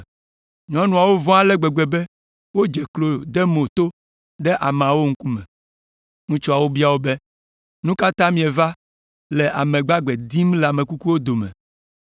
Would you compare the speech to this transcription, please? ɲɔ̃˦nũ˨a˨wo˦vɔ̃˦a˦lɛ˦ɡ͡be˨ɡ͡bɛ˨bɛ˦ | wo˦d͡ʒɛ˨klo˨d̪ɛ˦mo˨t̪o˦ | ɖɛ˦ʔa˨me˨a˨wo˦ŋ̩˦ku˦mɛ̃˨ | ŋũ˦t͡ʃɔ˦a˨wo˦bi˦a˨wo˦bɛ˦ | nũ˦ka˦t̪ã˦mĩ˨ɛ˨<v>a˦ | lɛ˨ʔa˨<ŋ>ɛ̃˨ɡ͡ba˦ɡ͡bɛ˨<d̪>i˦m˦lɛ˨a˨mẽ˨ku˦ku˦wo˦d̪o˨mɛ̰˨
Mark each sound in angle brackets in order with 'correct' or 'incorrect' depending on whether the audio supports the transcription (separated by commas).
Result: correct, incorrect, correct